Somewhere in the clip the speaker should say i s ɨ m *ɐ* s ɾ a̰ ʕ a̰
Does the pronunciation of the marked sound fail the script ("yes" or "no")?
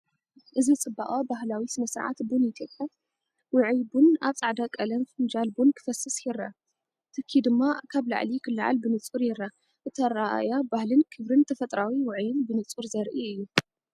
no